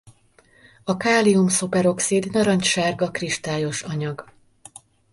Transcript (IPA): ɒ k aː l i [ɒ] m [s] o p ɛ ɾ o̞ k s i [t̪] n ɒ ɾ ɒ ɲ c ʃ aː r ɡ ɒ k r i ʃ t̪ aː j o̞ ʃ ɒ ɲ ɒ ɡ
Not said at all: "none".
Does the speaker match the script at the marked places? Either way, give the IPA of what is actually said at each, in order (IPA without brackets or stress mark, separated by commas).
u, s, d̪